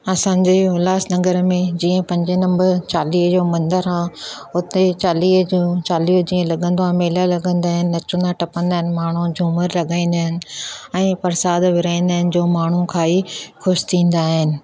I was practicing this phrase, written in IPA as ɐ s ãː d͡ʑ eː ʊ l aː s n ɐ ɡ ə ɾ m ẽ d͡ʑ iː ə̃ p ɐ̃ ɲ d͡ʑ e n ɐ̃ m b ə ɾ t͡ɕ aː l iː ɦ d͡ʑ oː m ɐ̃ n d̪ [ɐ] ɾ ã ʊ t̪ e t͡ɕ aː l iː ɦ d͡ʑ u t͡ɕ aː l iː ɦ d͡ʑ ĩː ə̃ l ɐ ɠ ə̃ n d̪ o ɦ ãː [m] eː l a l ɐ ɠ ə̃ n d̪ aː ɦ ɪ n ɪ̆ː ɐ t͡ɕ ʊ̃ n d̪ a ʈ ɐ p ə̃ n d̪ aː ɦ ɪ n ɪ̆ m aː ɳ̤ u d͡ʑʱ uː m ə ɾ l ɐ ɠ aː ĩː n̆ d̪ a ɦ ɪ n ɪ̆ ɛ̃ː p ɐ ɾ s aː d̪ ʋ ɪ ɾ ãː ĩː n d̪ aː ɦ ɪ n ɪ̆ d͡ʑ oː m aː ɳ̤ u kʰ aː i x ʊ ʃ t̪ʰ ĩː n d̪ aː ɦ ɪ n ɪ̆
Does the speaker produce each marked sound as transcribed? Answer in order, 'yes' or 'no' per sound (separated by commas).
no, yes